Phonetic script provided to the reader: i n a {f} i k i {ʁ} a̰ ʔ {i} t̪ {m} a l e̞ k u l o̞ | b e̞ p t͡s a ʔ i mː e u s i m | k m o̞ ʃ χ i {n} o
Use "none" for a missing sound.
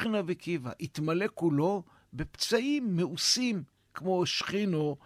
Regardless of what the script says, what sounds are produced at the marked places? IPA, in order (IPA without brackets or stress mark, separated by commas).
v, v, i, m, n